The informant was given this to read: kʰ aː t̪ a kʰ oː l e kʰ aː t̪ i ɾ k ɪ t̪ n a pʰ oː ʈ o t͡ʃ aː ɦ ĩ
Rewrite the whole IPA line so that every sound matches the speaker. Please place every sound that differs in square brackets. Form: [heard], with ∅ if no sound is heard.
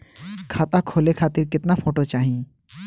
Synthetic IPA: kʰ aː t̪ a kʰ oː l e kʰ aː t̪ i ɾ k ɪ t̪ n a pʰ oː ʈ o t͡ʃ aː ɦ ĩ